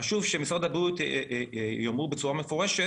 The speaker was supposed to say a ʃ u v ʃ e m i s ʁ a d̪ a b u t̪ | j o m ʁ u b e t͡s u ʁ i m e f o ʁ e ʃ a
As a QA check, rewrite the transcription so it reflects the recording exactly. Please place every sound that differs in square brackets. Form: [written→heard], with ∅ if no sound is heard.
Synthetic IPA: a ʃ u v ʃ e m i s ʁ a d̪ a b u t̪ | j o m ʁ u b e t͡s u ʁ [i→a] m e f o ʁ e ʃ [a→e]